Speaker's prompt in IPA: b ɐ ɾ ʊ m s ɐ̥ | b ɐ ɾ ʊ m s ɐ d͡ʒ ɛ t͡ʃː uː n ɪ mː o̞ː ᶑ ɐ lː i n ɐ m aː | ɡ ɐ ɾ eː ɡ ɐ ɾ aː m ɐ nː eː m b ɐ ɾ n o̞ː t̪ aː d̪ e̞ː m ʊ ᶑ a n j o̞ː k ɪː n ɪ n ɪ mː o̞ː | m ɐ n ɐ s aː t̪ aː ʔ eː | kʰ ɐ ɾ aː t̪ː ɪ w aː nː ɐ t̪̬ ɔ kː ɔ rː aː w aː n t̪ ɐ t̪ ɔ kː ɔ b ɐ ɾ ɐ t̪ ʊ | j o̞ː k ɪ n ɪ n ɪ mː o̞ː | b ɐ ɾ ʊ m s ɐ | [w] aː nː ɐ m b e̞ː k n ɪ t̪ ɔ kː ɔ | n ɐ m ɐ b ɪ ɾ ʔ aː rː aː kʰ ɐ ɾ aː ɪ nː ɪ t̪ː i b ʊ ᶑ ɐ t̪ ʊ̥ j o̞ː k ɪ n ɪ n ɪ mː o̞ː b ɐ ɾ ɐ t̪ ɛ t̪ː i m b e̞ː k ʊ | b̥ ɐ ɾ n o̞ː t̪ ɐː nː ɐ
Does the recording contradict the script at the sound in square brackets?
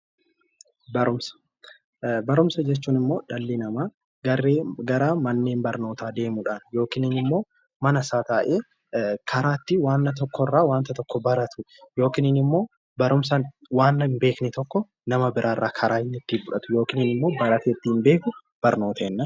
no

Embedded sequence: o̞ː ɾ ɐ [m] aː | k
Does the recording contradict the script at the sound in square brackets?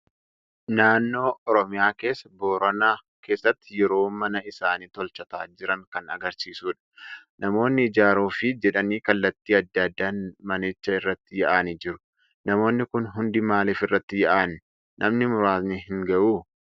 yes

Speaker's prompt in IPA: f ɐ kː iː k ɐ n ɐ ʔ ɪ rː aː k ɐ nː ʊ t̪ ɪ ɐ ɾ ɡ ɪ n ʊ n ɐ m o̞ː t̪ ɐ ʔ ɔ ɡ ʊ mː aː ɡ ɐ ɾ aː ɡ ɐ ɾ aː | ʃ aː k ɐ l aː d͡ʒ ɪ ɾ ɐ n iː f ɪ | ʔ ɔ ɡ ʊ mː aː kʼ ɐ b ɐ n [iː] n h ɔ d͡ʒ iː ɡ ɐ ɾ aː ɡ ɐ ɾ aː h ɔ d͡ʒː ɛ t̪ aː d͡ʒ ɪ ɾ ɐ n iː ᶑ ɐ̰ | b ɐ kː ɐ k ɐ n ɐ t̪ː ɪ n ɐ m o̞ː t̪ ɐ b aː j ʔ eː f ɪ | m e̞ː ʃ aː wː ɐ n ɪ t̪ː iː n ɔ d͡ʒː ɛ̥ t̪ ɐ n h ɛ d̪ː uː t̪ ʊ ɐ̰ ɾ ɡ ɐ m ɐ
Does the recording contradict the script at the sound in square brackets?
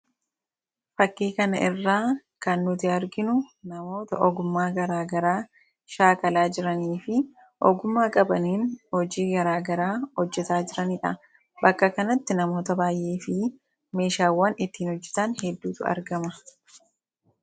no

